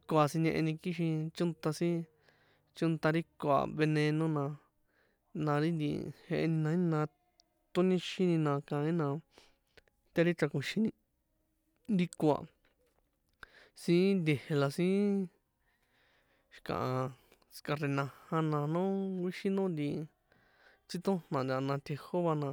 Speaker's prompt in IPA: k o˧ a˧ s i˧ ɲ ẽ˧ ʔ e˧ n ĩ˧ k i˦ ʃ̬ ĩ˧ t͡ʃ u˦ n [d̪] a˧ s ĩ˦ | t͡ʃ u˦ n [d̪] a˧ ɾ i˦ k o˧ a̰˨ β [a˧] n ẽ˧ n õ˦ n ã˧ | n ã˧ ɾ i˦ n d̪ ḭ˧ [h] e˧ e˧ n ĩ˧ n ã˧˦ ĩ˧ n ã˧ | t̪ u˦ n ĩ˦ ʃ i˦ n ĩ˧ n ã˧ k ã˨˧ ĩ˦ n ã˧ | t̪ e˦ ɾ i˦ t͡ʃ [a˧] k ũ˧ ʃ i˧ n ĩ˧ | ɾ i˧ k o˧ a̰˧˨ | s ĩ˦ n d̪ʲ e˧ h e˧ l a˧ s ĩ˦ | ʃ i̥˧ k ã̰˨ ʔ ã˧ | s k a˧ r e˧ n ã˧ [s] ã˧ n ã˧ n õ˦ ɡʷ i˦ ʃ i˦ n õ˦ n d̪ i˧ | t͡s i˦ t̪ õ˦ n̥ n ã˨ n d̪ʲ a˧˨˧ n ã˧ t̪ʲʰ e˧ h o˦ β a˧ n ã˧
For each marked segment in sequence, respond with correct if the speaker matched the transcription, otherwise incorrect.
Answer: incorrect: t̪, incorrect: t̪, incorrect: e˧, correct, correct, incorrect: h

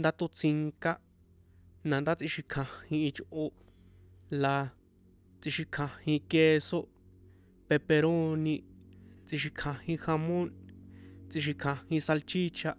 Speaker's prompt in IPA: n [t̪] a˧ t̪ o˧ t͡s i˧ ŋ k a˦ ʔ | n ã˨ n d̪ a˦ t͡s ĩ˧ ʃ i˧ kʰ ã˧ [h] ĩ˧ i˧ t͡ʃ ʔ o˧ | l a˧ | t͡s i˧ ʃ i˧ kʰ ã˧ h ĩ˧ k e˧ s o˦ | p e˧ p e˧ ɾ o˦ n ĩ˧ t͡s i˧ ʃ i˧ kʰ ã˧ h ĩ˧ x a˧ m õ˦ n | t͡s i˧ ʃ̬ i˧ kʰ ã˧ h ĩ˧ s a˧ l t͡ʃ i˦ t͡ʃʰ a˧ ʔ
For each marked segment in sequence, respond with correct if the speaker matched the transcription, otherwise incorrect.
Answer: incorrect: d̪, correct

